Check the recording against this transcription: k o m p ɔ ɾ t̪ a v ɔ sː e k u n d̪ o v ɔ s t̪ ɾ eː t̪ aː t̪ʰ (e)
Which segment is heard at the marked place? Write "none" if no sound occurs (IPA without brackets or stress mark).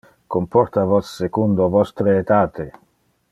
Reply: e